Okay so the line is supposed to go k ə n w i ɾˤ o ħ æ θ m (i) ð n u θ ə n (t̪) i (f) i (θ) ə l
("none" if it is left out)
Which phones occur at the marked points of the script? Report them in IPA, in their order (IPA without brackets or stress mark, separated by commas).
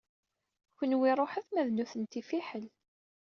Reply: æ, t̪, f, ħ